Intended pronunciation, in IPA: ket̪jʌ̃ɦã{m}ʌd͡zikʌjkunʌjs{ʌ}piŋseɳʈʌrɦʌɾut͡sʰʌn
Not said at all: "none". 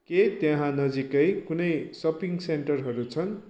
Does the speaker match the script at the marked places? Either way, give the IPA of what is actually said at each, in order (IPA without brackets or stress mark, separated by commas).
n, ʌ